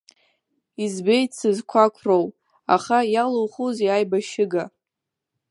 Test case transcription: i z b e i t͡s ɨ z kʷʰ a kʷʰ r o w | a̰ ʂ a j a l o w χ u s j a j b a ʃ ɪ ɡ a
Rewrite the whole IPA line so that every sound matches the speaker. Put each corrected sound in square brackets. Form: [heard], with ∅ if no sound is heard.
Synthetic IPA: i z b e [j] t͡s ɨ z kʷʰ a kʷʰ r o w | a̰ [χ] a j a l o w χ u [z] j a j b a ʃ ɪ ɡ a